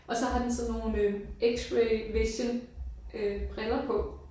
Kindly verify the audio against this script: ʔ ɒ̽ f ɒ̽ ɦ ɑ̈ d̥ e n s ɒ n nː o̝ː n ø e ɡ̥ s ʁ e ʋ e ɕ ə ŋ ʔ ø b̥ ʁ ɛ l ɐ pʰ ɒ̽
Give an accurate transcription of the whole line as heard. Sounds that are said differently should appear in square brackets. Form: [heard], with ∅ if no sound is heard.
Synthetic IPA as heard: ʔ ɒ̽ [s] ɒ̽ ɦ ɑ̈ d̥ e n s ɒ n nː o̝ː n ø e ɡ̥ s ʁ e ʋ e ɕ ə [n] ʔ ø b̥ ʁ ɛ l ɐ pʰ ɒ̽

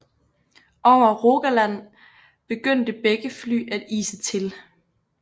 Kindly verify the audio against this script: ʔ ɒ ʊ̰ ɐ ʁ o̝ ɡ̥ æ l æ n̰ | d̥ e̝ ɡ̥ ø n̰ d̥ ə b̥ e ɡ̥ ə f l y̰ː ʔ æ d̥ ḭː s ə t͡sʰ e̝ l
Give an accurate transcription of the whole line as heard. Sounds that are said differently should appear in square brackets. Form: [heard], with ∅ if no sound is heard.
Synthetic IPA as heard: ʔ ɒ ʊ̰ ɐ ʁ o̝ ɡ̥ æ l æ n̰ | [b̥] e̝ ɡ̥ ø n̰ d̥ ə b̥ e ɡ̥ ə f l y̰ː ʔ æ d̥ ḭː s ə t͡sʰ e̝ l

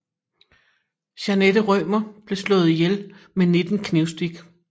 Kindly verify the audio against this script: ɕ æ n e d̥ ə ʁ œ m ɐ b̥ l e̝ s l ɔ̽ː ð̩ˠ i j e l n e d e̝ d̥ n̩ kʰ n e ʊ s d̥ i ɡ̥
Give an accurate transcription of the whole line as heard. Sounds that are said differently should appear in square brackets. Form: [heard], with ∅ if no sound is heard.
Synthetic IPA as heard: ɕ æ n e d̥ ə ʁ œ m ɐ b̥ l e̝ s l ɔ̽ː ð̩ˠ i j e l [m] e [n] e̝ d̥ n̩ kʰ n e ʊ s d̥ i ɡ̥

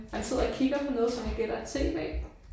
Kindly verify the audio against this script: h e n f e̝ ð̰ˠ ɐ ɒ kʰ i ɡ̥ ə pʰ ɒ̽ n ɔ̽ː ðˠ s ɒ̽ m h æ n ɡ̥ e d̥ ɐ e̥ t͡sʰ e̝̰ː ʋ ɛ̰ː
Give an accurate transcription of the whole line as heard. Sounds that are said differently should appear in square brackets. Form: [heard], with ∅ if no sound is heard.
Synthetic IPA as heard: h [æ] n [s] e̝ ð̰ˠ ɐ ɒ kʰ i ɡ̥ [ɐ] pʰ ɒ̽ n ɔ̽ː ðˠ s ɒ̽ m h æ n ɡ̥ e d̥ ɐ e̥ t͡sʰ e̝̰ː ʋ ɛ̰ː

